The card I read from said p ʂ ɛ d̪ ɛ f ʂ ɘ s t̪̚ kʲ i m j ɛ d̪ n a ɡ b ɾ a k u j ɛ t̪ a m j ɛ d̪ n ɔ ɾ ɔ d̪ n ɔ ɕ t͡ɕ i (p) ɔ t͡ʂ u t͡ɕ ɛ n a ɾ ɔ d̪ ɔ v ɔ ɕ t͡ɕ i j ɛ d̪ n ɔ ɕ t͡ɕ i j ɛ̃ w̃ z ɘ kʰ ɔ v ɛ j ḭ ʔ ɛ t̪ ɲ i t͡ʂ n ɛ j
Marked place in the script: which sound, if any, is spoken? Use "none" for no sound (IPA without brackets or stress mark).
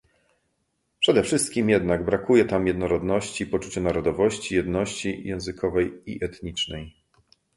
p